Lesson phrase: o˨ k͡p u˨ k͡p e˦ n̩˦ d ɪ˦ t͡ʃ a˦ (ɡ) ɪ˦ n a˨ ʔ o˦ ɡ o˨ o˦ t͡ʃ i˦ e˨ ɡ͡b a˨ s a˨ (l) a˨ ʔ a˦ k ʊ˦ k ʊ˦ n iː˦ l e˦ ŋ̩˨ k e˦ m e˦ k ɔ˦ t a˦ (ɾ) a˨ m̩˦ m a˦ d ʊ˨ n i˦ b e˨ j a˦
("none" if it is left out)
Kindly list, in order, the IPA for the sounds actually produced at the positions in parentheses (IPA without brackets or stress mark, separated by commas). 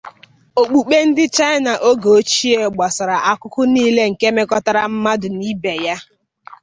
none, ɾ, ɾ